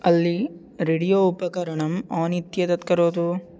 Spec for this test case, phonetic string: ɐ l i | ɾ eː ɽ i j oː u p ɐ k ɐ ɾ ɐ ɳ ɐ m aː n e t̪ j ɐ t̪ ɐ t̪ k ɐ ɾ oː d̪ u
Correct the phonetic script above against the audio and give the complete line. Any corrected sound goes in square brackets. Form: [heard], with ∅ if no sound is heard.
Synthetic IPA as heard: ɐ [lː] i | ɾ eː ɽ i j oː u p ɐ k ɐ ɾ ɐ ɳ ɐ m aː n [i] t̪ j ɐ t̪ ɐ t̪ k ɐ ɾ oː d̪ u